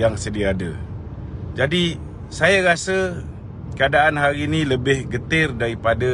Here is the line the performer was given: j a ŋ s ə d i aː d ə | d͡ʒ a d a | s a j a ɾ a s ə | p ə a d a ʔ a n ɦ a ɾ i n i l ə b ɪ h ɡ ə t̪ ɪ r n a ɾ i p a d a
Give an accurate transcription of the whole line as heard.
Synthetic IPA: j a ŋ s ə d i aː d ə | d͡ʒ a d i | s a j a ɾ a s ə | k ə a d a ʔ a n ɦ a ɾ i n i l ə b ɪ h ɡ ə t̪ ɪ r d a ɾ i p a d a